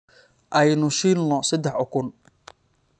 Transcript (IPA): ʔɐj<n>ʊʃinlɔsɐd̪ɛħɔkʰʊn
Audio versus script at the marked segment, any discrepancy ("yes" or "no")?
no